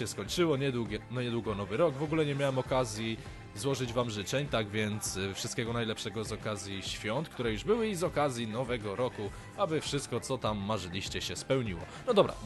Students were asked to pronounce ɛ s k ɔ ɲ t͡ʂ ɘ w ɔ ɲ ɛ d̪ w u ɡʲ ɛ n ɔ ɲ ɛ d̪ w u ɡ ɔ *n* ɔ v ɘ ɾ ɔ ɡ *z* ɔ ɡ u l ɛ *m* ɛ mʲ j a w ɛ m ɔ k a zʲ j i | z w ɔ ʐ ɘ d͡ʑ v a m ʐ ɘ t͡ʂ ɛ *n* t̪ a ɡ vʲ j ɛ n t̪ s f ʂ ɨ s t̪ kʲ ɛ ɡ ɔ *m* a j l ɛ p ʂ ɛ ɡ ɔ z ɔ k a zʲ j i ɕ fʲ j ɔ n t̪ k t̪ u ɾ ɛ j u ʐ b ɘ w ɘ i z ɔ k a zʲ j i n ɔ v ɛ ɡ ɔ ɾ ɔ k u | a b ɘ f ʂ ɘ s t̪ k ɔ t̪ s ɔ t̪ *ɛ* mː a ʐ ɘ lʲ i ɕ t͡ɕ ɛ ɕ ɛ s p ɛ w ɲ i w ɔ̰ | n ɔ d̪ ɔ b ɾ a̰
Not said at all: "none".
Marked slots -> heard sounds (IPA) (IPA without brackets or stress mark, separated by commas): n, v, ɲ, ɲ, n, a